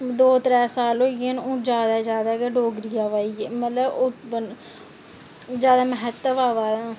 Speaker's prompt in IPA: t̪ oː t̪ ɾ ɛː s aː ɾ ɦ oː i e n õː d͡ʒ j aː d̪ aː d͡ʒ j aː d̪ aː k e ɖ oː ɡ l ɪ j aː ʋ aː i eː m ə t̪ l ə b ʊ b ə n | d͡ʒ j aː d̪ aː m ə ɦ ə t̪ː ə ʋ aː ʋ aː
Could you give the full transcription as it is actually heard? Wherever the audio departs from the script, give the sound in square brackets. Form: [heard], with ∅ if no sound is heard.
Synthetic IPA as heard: [d̪] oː t̪ ɾ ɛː s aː [l] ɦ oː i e n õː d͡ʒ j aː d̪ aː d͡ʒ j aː d̪ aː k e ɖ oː ɡ [ɾ] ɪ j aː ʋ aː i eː m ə t̪ l ə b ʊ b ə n | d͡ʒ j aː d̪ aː m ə ɦ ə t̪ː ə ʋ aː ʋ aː